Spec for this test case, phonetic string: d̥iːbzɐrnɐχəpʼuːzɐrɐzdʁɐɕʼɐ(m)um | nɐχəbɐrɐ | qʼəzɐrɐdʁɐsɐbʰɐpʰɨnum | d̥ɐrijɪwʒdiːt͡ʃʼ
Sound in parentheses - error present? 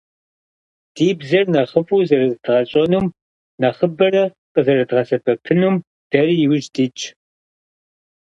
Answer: yes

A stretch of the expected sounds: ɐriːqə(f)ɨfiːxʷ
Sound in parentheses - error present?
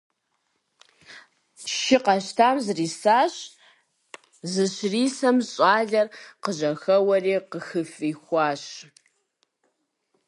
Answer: yes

